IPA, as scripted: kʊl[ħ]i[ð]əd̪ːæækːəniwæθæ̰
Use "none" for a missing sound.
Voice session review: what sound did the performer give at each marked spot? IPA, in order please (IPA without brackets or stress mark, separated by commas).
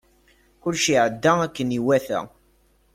ʃ, ʕ